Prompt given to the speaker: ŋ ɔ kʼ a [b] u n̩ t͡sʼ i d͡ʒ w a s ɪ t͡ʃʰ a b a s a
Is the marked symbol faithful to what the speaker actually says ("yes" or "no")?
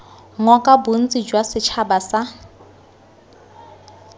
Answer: yes